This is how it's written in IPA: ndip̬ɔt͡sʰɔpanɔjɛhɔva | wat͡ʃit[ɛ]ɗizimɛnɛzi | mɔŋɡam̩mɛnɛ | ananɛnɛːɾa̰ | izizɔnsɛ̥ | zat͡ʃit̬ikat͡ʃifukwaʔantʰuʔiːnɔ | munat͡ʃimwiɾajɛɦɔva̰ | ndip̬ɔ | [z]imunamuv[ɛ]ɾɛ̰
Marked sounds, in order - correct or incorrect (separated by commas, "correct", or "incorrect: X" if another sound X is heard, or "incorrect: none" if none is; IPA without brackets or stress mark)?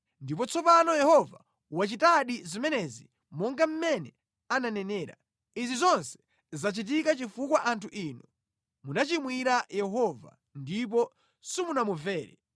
incorrect: a, incorrect: s, incorrect: ɛː